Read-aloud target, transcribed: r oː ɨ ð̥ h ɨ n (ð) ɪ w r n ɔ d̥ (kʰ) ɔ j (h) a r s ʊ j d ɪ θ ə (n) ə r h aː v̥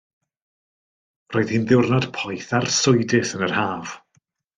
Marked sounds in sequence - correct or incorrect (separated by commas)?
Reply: correct, incorrect, incorrect, correct